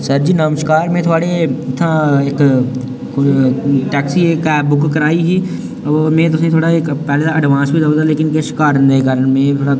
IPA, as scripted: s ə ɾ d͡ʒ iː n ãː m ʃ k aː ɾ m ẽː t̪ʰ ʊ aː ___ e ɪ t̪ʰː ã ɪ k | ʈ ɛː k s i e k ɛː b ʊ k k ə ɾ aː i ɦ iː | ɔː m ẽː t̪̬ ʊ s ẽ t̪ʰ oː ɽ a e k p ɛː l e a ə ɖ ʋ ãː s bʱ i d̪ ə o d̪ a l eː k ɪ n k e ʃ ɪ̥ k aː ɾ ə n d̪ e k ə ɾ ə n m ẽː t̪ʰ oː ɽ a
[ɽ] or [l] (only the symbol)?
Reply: ɽ